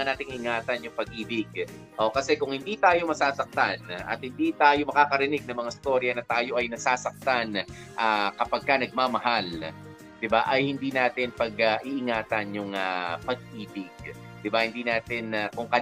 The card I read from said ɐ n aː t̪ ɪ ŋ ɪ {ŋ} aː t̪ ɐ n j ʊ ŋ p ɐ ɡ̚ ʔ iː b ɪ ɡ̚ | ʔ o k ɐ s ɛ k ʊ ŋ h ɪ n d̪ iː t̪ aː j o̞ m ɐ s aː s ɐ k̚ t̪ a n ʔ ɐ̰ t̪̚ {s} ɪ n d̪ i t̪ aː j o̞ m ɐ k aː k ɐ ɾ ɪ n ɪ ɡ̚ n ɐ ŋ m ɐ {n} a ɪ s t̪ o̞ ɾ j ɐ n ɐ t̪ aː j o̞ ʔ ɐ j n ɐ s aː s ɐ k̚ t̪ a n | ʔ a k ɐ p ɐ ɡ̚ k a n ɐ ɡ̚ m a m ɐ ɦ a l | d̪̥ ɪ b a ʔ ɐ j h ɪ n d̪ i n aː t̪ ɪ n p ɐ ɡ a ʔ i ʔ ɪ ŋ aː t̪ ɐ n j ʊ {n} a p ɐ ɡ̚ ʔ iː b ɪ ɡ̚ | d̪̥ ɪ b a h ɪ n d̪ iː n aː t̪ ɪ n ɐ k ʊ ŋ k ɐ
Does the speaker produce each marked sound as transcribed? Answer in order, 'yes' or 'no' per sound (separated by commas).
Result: yes, no, no, no